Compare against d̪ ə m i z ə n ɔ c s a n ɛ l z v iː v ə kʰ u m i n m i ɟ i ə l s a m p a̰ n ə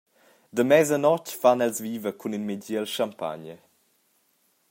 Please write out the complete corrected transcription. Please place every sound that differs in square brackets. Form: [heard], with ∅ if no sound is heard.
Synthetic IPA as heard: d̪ ə m [ɛ] z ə n ɔ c [f] a n ɛ l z v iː v ə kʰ u [n] i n m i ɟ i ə l [ʃ] a m p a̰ [ɲ] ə